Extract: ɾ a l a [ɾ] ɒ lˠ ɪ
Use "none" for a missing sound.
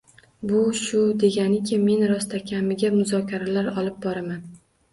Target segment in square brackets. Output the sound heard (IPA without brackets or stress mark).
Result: ɾ